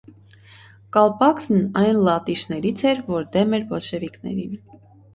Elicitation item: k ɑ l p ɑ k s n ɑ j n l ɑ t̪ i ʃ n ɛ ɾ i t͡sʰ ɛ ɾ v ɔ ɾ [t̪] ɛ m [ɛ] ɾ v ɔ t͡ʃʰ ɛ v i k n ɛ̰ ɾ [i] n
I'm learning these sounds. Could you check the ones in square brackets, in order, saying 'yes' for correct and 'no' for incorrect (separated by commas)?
no, yes, yes